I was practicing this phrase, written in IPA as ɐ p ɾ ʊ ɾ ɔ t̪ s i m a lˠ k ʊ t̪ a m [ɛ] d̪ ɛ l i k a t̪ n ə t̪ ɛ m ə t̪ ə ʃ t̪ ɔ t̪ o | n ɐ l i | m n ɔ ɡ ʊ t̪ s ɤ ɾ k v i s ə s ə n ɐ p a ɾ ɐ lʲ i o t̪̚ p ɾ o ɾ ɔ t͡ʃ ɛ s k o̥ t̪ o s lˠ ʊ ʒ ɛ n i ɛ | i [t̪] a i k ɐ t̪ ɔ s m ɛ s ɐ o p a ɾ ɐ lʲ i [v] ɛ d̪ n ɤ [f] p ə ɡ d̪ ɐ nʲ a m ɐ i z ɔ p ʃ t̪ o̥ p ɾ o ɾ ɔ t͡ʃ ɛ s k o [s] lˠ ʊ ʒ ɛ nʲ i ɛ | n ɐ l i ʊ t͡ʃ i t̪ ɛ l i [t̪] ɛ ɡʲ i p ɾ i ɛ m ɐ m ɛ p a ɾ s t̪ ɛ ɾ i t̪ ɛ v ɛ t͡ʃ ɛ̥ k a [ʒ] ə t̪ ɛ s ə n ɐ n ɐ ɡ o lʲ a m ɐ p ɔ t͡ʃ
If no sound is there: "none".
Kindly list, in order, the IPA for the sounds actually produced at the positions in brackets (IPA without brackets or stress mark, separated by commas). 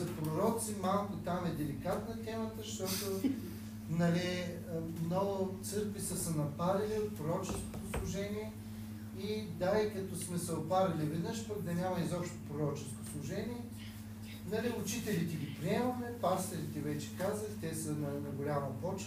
ɛ, d̪, v, ʃ, s, t̪, z